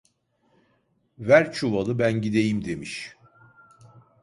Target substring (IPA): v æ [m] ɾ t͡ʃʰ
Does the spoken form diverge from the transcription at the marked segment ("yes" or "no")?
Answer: yes